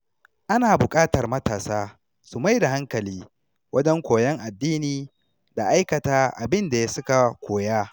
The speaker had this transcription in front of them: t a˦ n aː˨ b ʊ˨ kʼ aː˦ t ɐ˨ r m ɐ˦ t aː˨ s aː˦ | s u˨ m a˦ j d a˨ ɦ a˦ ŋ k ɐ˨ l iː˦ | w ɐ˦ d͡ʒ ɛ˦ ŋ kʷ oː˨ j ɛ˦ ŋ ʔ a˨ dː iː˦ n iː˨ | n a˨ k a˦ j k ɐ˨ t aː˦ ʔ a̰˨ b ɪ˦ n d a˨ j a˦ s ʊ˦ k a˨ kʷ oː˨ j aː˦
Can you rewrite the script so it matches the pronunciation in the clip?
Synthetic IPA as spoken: ʔ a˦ n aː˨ b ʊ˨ kʼ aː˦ t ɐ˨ r m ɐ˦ t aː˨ s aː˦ | s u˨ m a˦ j d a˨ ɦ a˦ ŋ k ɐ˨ l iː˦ | w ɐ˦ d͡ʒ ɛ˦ ŋ kʷ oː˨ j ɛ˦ ŋ ʔ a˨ dː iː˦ n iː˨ | d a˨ ʔ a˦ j k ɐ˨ t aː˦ ʔ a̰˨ b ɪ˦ n d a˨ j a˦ s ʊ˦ k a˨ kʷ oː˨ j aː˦